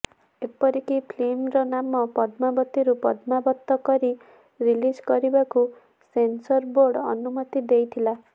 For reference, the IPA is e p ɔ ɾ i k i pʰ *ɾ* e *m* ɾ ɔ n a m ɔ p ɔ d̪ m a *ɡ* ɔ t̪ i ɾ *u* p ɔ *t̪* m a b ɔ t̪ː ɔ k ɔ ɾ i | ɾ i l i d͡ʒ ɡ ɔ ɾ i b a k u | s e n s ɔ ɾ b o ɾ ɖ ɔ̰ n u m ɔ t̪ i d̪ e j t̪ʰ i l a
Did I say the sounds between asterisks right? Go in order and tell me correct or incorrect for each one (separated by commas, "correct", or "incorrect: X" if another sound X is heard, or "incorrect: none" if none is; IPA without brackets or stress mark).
incorrect: l, correct, incorrect: b, correct, incorrect: d̪